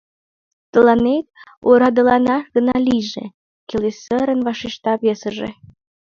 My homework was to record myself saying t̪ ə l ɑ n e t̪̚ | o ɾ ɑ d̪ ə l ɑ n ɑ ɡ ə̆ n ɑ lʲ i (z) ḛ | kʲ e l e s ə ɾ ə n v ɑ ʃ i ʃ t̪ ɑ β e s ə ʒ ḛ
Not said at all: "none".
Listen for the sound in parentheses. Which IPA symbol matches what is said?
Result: ʒ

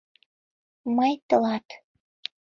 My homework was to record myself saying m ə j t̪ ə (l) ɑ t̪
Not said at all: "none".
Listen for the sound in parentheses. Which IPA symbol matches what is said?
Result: l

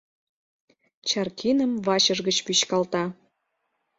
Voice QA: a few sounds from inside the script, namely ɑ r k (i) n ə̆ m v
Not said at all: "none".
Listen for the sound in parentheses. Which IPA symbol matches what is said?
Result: i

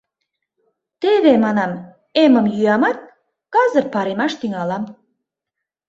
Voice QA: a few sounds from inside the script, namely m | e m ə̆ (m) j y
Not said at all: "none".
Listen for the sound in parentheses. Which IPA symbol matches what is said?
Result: m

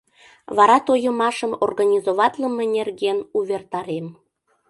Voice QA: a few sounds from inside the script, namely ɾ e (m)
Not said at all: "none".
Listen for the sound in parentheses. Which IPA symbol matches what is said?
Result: m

